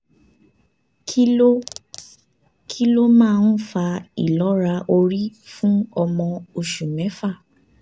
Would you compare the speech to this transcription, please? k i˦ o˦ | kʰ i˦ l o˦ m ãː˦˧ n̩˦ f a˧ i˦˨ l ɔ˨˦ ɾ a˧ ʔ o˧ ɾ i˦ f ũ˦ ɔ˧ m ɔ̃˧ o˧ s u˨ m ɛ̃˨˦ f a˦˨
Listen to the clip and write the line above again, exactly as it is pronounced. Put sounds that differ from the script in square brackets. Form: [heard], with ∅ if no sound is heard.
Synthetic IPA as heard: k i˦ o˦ | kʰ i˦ l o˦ m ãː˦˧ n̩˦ f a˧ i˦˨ l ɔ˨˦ ɾ a˧ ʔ o˧ ɾ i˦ f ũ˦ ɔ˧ m ɔ̃˧ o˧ [ʃ] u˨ m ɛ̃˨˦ f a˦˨